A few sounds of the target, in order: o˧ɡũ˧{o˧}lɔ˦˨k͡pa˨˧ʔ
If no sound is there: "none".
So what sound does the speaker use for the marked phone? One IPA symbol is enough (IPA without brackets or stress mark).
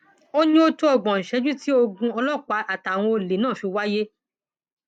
ɔ˧